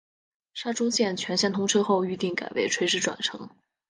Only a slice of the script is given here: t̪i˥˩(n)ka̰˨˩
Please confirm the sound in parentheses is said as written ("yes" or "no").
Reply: no